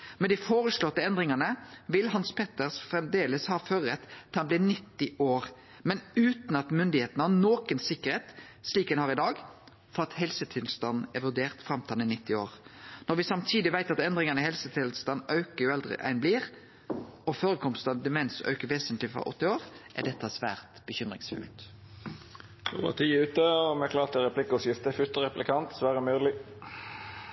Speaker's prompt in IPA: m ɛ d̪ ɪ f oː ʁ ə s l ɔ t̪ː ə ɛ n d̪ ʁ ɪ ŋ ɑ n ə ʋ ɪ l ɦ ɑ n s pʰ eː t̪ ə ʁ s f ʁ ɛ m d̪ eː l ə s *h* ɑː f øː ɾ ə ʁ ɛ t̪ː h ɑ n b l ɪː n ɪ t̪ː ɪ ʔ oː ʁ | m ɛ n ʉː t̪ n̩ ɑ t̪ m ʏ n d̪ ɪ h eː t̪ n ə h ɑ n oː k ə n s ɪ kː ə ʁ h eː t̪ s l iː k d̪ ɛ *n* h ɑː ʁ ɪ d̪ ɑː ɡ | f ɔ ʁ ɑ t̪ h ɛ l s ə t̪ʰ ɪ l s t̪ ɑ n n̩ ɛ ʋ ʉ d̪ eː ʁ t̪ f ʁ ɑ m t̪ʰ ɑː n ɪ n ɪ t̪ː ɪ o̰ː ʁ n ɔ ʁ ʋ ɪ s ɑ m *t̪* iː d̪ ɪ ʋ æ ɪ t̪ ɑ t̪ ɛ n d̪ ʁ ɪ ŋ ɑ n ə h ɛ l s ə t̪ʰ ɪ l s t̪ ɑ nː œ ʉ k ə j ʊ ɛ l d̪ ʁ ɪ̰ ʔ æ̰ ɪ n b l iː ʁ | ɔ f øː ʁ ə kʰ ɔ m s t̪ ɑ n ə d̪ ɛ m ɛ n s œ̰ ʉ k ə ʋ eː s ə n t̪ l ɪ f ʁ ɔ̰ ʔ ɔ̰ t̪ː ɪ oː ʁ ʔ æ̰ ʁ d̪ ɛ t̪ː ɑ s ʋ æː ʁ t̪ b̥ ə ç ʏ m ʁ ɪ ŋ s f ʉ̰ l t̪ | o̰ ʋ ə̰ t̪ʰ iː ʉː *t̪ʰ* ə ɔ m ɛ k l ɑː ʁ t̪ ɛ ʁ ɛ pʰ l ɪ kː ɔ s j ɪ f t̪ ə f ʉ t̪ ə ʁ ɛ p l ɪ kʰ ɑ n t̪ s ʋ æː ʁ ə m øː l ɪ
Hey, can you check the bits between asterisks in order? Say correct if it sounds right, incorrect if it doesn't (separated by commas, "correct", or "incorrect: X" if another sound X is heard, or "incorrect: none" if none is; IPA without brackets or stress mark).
correct, correct, incorrect: t̪ʰ, incorrect: t̪